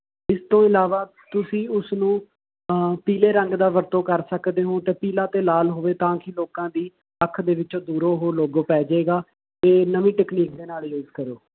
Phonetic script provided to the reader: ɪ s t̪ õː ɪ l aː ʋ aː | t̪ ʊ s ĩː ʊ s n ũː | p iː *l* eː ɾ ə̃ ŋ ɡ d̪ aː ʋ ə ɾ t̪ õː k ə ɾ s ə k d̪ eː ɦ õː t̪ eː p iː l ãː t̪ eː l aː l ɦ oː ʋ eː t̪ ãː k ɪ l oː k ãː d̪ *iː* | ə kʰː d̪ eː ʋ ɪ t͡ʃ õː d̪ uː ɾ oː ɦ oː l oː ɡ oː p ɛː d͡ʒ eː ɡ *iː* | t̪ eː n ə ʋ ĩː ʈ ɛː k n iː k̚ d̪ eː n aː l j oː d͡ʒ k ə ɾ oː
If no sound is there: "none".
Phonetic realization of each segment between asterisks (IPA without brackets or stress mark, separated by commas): l, iː, aː